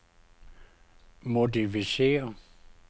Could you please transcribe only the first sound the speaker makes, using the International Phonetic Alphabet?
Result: m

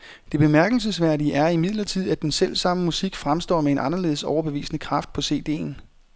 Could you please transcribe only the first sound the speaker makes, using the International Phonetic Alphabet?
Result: d̥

